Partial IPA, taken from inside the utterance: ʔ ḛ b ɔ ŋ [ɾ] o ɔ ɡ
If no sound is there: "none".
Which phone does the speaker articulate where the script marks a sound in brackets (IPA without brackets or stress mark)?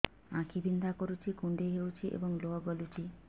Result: l